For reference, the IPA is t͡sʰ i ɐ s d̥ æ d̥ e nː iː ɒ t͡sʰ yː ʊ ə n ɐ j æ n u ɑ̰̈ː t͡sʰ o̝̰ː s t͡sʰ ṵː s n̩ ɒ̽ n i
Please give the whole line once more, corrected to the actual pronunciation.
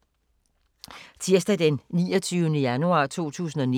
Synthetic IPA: t͡sʰ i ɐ s d̥ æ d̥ e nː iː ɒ t͡sʰ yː ʊ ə n ə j æ n u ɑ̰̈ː t͡sʰ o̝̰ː t͡sʰ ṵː s n̩ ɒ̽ n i